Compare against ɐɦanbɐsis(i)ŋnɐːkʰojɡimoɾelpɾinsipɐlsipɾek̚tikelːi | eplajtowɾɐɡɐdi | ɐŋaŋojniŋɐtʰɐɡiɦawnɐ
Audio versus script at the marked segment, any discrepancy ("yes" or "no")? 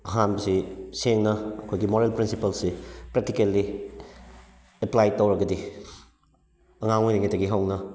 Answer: yes